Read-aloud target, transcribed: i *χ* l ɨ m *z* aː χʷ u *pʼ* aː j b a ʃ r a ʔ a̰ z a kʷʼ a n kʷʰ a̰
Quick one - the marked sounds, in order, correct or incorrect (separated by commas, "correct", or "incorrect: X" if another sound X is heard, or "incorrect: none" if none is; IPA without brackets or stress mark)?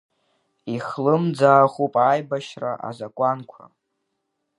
correct, incorrect: d͡z, correct